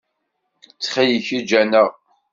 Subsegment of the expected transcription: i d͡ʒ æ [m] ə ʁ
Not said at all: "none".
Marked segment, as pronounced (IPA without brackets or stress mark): n